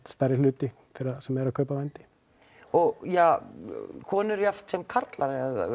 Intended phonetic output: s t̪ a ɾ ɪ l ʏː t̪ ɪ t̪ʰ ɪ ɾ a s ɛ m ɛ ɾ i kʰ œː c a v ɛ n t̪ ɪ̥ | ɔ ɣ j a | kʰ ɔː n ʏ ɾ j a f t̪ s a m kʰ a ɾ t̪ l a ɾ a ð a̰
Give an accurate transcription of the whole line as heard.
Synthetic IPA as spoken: s t̪ a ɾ ɪ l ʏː t̪ ɪ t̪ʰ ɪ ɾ a s ɛ m ɛ ɾ a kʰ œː p a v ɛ n t̪ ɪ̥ | ɔ ɣ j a | kʰ ɔː n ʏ ɾ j a f t̪ s ɛ m kʰ a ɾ t̪ l a ɾ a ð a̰